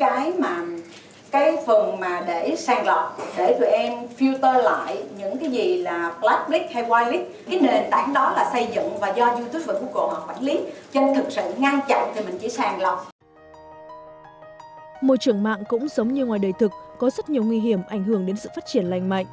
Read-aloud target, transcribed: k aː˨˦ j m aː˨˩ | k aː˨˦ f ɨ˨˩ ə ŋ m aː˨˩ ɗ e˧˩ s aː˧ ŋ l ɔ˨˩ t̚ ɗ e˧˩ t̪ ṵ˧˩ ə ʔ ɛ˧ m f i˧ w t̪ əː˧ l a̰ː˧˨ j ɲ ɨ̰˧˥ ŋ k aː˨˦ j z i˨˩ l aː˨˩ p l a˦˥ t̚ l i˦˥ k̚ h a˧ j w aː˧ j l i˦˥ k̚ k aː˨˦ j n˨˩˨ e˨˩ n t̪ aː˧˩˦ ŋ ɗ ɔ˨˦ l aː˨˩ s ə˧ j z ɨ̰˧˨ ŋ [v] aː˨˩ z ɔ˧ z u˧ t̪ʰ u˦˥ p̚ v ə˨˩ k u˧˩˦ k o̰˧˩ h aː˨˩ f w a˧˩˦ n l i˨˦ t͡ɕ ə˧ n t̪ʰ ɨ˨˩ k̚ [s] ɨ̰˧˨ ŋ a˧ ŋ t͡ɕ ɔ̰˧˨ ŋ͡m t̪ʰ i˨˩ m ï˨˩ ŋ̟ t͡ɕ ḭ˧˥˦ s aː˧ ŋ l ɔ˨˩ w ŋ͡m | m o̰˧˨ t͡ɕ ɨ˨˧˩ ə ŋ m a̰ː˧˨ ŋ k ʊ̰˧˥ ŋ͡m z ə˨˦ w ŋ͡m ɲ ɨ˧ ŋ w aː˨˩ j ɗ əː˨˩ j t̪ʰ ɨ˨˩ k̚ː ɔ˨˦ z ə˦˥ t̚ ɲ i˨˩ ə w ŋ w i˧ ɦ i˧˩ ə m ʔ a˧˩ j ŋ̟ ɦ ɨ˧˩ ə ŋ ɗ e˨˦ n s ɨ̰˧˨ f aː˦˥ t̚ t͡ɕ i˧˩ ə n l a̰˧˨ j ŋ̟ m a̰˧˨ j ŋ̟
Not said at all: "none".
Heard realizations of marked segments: v, s

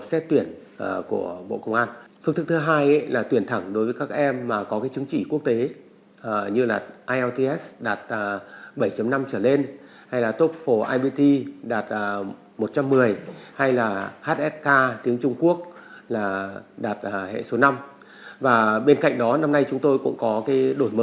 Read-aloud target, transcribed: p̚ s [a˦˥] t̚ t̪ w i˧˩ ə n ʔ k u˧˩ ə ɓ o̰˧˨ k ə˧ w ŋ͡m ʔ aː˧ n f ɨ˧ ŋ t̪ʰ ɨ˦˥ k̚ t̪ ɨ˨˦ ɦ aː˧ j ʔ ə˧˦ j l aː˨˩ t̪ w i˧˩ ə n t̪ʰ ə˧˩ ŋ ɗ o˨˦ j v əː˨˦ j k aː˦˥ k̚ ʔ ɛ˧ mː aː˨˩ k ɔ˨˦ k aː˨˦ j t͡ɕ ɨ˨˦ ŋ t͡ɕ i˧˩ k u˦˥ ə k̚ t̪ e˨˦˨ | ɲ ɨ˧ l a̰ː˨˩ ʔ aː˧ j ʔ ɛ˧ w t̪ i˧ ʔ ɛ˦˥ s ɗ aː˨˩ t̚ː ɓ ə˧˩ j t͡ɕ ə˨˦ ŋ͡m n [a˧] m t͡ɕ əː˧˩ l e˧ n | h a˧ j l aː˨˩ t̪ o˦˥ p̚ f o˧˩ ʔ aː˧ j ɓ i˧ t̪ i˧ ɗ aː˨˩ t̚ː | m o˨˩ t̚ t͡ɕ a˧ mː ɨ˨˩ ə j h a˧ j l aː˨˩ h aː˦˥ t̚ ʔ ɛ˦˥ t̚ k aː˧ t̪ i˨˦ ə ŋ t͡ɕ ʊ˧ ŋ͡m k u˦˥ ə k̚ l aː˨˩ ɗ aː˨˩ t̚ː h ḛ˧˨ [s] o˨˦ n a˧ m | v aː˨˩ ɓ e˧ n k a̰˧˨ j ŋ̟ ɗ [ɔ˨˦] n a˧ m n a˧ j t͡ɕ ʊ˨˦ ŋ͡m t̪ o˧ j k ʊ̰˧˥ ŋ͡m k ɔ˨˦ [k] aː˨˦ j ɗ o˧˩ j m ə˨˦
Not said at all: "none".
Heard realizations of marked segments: ɛ˦˥, a˧, s, ɔ˨˦, k

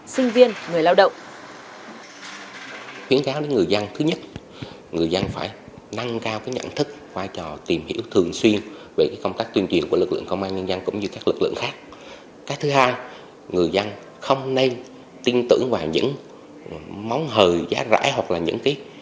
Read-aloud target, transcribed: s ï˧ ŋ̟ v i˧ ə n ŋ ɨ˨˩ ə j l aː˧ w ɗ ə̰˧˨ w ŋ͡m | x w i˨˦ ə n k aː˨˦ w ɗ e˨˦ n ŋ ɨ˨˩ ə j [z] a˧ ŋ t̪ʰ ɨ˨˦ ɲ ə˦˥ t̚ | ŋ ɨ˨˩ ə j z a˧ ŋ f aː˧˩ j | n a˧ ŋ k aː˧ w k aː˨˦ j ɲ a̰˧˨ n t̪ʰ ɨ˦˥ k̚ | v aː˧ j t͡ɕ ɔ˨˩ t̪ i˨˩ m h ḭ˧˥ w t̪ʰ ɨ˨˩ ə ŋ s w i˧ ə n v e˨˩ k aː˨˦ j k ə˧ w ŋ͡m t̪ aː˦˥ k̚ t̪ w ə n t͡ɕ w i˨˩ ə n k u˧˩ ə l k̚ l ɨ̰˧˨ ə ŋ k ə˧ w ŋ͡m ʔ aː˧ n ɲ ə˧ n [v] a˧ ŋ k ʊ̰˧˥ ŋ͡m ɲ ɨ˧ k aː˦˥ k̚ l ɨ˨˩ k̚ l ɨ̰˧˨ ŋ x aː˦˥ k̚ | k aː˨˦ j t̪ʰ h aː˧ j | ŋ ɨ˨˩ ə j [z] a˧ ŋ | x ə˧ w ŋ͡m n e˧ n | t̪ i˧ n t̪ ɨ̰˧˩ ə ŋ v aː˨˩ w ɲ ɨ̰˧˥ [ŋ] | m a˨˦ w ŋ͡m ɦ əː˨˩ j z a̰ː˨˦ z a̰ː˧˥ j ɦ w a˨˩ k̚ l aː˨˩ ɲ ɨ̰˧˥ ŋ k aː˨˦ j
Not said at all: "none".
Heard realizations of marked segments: z, z, z, ŋ

